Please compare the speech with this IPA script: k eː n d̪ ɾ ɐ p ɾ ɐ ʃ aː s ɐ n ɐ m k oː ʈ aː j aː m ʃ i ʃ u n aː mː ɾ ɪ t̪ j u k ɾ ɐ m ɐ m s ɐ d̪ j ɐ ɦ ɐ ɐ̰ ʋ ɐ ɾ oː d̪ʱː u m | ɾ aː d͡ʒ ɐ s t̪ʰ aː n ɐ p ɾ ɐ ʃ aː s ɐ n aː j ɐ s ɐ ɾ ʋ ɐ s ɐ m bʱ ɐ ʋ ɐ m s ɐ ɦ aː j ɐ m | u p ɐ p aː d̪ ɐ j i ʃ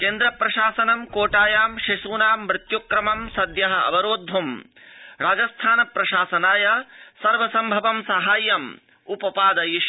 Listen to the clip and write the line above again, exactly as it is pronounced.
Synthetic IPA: k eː n d̪ ɾ ɐ p ɾ ɐ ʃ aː s ɐ n ɐ m k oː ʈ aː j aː m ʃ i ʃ uː n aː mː ɾ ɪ t̪ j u k ɾ ɐ m ɐ m s ɐ d̪ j ɐ ɦ ɐ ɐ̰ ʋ ɐ ɾ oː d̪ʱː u m | ɾ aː d͡ʒ ɐ s t̪ʰ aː n ɐ p ɾ ɐ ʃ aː s ɐ n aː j ɐ s ɐ ɾ ʋ ɐ s ɐ m bʱ ɐ ʋ ɐ m s ɐ ɦ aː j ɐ m | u p ɐ p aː d̪ ɐ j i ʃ

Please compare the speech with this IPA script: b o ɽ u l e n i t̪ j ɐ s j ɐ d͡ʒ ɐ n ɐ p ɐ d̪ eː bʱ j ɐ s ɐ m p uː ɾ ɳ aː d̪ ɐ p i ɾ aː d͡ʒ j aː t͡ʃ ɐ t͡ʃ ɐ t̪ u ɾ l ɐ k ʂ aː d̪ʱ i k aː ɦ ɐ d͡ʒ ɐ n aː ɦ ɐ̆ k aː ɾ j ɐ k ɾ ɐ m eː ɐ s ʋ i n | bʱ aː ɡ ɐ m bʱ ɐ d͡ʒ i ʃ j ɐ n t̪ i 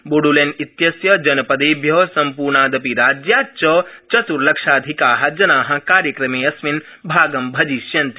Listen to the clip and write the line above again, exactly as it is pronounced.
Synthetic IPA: b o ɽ u l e n i t̪ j ɐ s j ɐ d͡ʒ ɐ n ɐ p ɐ d̪ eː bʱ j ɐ s ɐ m p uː ɾ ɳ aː d̪ ɐ p i ɾ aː d͡ʒ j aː t͡ʃ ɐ t͡ʃ ɐ t̪ u ɾ l ɐ k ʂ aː d̪ʱ i k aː ɦ ɐ d͡ʒ ɐ n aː ɦ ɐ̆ k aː ɾ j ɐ k ɾ ɐ m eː ɐ s ʋ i n | bʱ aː ɡ ɐ m bʱ ɐ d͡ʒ i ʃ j ɐ n t̪ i

